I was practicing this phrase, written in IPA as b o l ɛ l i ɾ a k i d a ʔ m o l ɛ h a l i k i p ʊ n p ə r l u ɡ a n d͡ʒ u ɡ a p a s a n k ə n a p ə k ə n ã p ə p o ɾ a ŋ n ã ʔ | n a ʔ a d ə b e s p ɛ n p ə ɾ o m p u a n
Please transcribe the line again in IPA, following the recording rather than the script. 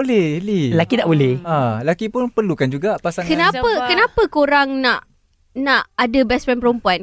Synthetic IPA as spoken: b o l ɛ l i l a k i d a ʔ b o l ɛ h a l a k i p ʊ n p ə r l u k a n d͡ʒ u ɡ a p a s a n k ə n a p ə k ə n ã p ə k o ɾ a ŋ n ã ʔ | n a ʔ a d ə b ɛ s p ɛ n p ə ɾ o m p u a n